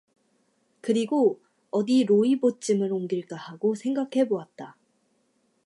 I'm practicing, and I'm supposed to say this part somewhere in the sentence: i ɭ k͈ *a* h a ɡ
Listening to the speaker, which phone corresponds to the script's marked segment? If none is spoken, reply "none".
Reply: a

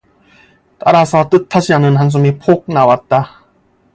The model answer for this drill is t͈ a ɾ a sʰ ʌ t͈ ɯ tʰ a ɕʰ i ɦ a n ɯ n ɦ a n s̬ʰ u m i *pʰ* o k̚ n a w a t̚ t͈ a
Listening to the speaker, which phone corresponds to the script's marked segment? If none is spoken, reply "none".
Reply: pʰ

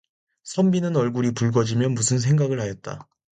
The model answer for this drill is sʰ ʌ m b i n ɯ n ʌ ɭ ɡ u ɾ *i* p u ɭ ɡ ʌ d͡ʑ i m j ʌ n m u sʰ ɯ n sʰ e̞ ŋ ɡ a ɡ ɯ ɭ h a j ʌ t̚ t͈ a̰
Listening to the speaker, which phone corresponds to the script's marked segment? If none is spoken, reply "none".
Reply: i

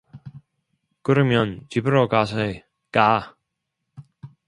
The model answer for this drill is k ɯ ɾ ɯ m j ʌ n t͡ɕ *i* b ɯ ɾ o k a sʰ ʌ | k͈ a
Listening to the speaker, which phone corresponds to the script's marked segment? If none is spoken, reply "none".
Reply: i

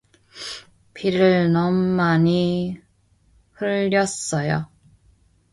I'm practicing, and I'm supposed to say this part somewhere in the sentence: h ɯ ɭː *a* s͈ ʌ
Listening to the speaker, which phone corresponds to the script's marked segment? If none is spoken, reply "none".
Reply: ʌ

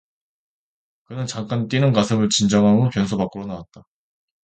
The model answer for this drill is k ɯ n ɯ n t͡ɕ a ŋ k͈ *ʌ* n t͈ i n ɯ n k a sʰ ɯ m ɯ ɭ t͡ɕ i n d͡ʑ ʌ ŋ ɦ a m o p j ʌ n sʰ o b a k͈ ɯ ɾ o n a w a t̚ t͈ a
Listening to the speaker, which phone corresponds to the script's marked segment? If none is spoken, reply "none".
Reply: a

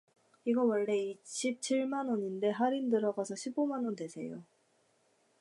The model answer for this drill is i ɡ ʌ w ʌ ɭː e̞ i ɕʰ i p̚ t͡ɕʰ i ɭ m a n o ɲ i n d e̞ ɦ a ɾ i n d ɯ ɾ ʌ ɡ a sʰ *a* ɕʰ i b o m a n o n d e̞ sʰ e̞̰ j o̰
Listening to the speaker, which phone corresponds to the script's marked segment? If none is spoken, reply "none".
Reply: ʌ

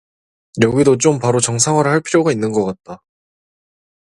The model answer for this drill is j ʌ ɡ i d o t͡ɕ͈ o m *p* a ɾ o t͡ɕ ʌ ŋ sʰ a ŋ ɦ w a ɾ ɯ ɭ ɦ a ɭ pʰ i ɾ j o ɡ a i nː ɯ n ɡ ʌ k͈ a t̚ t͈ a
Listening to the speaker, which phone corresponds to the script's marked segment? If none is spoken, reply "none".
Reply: p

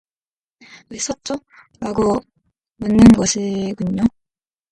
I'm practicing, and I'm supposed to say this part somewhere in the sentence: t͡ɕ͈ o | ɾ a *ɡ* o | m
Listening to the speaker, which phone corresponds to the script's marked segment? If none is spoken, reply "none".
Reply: ɡ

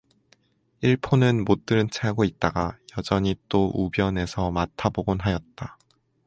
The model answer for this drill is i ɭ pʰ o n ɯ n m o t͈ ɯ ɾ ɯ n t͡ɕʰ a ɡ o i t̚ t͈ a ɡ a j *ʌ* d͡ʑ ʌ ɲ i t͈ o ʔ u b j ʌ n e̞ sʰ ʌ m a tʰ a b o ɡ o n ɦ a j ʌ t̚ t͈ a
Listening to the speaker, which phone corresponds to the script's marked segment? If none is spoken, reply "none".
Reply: ʌ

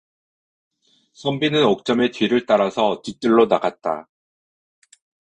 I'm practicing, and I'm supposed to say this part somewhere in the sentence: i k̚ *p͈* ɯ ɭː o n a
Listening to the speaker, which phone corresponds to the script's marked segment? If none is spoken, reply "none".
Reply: t͈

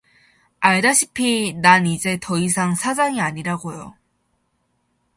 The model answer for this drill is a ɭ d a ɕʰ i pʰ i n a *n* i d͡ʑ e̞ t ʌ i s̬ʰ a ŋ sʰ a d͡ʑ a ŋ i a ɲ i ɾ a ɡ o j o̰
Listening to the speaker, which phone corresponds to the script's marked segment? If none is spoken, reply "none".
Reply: n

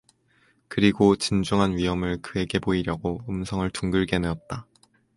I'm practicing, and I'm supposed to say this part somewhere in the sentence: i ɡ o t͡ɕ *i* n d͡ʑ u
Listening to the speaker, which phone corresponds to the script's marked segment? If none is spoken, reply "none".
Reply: i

